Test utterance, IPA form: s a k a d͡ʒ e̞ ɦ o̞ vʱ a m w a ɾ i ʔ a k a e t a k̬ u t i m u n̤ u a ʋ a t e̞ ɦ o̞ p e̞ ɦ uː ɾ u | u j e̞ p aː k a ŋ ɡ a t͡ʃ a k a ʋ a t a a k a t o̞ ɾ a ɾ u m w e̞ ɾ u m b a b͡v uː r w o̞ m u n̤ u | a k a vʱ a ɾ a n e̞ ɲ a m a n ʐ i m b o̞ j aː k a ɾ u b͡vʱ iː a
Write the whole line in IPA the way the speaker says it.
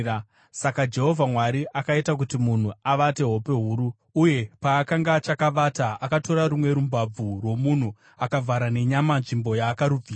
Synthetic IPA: s a k a d͡ʒ e̞ ɦ o̞ vʱ a m w a ɾ i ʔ a k a i t a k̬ u t i m u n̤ u a ʋ a t e̞ ɦ o̞ p e̞ ɦ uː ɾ u | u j e̞ p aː k a ŋ ɡ a t͡ʃ a k a ʋ a t a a k a t o̞ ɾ a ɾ u m w e̞ ɾ u m b a b͡v u r w o̞ m u n̤ u | a k a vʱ a ɾ a n e̞ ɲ a m a n ʐ i m b o̞ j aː k a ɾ u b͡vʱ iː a